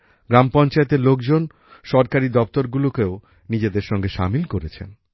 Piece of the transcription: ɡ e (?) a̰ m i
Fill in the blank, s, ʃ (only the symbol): ʃ